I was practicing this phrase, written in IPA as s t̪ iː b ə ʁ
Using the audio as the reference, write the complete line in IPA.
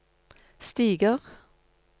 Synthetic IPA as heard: s t̪ iː ɡ ə ʁ

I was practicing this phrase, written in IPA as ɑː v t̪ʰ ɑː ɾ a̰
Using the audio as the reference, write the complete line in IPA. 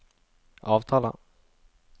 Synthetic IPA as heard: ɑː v t̪ʰ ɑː l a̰

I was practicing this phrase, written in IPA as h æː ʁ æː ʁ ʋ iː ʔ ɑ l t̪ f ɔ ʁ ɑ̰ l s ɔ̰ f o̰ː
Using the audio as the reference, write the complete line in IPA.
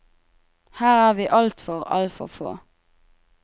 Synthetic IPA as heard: h æː ʁ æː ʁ ʋ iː ʔ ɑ l t̪ f ɔ ʁ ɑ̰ l f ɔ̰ f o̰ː

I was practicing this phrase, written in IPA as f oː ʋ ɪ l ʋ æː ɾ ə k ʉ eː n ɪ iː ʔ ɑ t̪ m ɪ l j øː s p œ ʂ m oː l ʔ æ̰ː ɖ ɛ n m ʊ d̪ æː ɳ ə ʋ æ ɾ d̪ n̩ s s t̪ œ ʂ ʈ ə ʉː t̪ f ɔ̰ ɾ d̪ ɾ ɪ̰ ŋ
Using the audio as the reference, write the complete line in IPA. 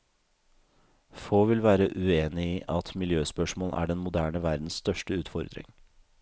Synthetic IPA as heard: f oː ʋ ɪ l ʋ æː ɾ ə ʔ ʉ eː n ɪ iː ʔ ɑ t̪ m ɪ l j øː s p œ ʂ m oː l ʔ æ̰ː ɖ ɛ n m ʊ d̪ æː ɳ ə ʋ æ ɾ d̪ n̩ s s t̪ œ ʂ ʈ ə ʉː t̪ f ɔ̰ ɾ d̪ ɾ ɪ̰ ŋ

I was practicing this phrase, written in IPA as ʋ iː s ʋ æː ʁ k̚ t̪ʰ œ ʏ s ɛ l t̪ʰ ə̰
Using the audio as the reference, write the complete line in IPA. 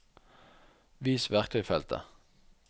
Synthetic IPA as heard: ʋ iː s ʋ æ ʁ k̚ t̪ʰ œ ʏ f ɛ l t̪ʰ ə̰

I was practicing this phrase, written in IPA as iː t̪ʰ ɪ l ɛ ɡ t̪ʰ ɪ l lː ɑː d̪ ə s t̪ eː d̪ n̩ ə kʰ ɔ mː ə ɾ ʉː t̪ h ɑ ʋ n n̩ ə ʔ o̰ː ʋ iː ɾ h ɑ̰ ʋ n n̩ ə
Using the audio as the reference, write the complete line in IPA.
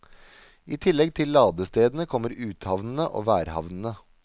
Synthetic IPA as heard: iː t̪ʰ ɪ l ɛ ɡ t̪ʰ ɪ l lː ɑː d̪ ə s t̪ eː d̪ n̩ ə kʰ ɔ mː ə ɾ ʉː t̪ h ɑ ʋ n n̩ ə ʔ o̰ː ʋ æː ɾ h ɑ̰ ʋ n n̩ ə

